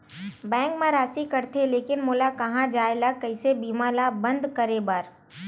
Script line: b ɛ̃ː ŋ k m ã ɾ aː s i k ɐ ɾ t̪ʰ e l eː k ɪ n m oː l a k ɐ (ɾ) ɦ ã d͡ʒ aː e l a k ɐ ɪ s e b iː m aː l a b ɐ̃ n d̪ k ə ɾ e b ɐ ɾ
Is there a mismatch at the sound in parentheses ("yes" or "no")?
yes